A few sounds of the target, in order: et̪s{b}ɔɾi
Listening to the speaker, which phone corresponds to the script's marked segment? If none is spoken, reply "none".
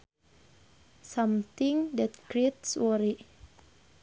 w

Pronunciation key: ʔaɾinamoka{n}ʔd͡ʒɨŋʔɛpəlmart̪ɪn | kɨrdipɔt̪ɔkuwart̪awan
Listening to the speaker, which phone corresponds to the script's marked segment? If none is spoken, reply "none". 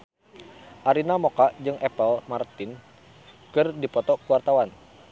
none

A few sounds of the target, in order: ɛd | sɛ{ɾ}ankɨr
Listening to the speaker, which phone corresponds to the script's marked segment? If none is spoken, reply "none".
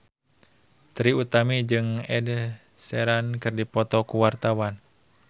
ɾ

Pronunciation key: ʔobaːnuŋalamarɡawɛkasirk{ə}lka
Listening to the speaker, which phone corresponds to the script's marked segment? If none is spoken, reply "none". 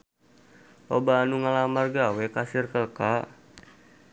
ə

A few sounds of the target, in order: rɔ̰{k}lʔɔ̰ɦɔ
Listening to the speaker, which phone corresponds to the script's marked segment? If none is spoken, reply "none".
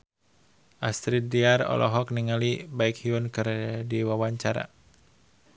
none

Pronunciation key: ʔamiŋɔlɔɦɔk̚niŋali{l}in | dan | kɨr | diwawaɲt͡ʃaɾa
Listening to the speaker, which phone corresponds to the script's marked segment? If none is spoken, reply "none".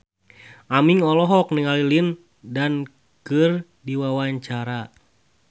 l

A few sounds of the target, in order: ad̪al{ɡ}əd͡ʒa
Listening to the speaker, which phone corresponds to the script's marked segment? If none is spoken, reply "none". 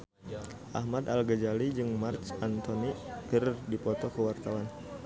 ɡ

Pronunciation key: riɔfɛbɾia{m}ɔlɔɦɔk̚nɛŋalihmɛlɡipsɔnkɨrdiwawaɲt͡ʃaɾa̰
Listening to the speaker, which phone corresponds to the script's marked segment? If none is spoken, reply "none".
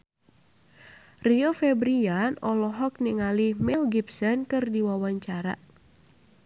n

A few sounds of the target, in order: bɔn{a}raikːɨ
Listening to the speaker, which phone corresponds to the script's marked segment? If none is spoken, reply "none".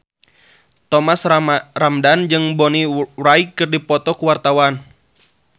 i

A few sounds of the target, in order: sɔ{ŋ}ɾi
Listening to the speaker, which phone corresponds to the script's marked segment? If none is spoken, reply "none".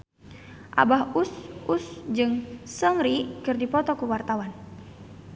ŋ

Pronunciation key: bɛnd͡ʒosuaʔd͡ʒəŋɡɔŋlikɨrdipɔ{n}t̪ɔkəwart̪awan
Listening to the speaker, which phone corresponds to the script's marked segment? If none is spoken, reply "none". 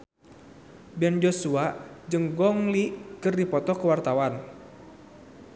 none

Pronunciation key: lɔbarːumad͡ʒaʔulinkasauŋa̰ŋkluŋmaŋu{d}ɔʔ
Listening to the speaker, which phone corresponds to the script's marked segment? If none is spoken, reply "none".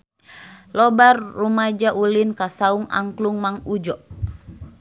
d͡ʒ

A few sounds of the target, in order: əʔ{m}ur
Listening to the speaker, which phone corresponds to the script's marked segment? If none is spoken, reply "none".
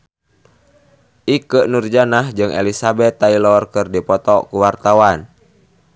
n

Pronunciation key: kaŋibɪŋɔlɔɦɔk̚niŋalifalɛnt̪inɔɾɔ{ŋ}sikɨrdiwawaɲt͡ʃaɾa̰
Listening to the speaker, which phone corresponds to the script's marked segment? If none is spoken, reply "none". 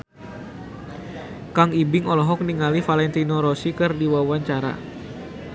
none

